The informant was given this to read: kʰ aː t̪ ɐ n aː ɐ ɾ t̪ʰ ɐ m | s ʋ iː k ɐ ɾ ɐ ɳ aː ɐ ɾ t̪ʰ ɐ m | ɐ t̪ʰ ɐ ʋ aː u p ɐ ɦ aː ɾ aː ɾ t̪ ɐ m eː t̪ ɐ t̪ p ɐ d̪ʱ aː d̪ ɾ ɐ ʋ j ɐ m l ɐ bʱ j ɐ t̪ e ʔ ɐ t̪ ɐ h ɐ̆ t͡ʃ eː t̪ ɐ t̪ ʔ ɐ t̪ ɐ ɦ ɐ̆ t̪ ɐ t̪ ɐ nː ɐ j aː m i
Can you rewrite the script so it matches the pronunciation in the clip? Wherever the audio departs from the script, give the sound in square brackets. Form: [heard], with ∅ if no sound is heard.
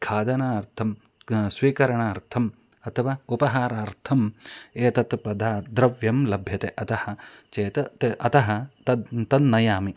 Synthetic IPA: kʰ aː [d̪] ɐ n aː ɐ ɾ t̪ʰ ɐ m | s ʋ iː k ɐ ɾ ɐ ɳ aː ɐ ɾ t̪ʰ ɐ m | ɐ t̪ʰ ɐ ʋ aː u p ɐ ɦ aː ɾ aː ɾ [t̪ʰ] ɐ m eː t̪ ɐ t̪ p ɐ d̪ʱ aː d̪ ɾ ɐ ʋ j ɐ m l ɐ bʱ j ɐ t̪ e ʔ ɐ t̪ ɐ h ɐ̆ t͡ʃ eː t̪ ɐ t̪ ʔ ɐ t̪ ɐ ɦ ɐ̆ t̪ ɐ t̪ ɐ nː ɐ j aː m i